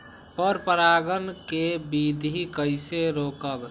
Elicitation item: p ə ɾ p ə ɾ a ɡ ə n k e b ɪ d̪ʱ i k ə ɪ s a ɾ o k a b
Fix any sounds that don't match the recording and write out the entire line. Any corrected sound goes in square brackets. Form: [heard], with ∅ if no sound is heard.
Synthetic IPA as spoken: p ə ɾ p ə ɾ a ɡ ə n k e b [i] d̪ʱ i k ə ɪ s [e] ɾ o k [ə] b